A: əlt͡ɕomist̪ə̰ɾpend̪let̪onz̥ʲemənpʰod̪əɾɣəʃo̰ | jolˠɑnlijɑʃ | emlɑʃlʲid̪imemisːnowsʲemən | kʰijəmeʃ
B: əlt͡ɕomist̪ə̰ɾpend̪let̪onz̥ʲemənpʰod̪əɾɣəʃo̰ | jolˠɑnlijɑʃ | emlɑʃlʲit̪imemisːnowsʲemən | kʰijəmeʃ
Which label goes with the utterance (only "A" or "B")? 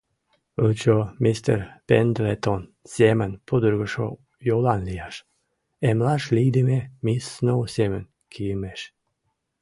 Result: A